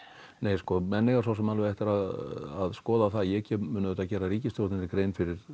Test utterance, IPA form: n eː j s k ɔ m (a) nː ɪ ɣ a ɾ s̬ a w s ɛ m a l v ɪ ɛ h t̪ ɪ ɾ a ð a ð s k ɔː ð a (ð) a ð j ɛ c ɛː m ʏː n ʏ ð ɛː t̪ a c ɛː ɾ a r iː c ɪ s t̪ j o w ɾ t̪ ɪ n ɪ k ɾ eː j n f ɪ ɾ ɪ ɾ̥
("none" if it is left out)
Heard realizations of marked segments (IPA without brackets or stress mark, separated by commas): ɛ, θ